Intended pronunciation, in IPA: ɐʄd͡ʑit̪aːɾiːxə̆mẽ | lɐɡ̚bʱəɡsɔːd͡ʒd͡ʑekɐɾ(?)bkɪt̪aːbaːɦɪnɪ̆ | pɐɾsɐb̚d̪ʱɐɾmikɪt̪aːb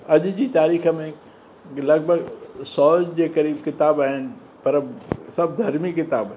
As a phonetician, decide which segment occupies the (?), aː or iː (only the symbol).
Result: iː